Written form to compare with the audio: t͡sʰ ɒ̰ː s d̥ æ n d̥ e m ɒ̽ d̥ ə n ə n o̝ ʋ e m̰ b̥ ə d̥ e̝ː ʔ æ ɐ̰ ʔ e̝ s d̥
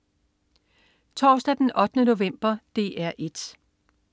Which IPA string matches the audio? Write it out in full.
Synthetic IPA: t͡sʰ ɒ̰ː s d̥ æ d̥ e n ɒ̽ d̥ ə n ə n o̝ ʋ e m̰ b̥ ɐ d̥ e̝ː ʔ æ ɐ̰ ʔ e̝ d̥